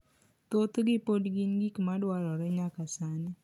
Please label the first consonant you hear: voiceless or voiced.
voiceless